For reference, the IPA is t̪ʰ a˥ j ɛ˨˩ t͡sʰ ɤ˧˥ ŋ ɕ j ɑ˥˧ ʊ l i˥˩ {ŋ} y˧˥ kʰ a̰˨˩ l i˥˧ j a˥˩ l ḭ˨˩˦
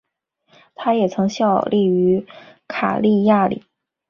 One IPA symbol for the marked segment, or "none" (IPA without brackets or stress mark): none